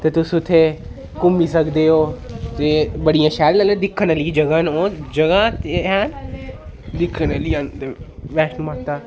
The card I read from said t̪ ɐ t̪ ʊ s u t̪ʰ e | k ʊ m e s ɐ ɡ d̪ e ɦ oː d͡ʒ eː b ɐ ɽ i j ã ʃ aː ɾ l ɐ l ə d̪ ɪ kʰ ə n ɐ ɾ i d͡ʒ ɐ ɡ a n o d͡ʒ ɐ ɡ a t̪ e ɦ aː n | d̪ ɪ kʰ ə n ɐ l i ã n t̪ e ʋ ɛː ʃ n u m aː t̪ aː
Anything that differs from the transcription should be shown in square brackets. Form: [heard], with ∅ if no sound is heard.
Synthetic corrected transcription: t̪ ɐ t̪ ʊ s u t̪ʰ e | k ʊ m [i] s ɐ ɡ d̪ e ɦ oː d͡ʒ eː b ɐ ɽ i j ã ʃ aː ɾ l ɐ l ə d̪ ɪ kʰ ə n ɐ [l] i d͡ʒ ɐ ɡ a n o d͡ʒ ɐ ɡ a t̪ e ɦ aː n | d̪ ɪ kʰ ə n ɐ l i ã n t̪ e ʋ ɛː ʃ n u m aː t̪ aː